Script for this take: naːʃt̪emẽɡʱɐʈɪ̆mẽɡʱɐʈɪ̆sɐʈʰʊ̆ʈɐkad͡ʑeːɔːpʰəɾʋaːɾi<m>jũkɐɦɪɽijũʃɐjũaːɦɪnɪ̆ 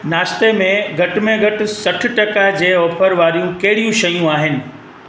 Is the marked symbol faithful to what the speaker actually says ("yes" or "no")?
no